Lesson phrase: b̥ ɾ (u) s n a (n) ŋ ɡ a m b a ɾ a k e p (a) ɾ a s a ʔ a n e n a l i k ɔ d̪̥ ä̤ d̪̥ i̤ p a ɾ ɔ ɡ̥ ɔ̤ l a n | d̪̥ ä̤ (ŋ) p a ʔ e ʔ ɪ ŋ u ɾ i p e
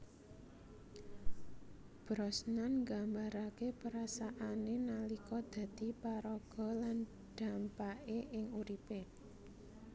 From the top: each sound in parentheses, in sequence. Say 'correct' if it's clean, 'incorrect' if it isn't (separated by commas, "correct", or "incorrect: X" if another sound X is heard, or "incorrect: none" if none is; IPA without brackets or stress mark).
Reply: incorrect: ɔ, correct, incorrect: ə, incorrect: m